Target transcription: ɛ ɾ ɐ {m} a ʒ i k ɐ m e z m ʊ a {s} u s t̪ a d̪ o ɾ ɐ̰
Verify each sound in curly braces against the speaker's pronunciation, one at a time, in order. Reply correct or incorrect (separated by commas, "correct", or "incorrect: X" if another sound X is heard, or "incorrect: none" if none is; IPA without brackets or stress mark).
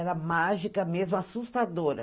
correct, correct